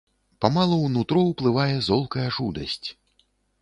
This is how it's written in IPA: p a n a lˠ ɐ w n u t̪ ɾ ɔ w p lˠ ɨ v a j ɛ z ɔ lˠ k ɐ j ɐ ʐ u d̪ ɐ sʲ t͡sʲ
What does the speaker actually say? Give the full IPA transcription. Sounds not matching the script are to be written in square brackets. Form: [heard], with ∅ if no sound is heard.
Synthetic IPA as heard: p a [m] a lˠ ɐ w n u t̪ ɾ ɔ w p lˠ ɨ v a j ɛ z ɔ lˠ k ɐ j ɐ ʐ u d̪ ɐ sʲ t͡sʲ